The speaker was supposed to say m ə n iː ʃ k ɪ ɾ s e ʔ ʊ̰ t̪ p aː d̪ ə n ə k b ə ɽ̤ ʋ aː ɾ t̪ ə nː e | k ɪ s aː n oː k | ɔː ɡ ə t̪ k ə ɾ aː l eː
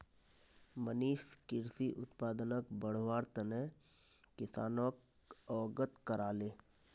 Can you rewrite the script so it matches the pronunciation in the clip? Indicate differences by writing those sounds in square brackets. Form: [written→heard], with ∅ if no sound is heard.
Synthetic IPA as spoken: m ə n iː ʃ k ɪ ɾ s [e→i] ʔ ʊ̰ t̪ p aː d̪ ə n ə k b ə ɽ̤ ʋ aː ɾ t̪ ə [nː→n] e | k ɪ s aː n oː k | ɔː ɡ ə t̪ k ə ɾ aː l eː